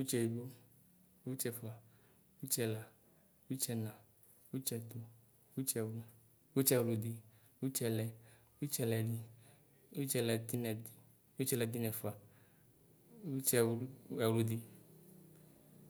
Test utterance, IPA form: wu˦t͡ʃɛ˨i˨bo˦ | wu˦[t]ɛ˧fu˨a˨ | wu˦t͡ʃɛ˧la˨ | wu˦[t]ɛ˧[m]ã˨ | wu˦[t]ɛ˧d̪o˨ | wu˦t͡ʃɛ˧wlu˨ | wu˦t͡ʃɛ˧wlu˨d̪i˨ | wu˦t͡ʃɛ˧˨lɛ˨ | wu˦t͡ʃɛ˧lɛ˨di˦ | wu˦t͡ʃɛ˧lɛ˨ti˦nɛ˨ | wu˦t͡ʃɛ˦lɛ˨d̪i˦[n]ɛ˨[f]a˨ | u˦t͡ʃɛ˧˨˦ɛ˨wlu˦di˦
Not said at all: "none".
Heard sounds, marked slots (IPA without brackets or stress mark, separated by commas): t͡ʃ, t͡ʃ, n, t͡ʃ, n, f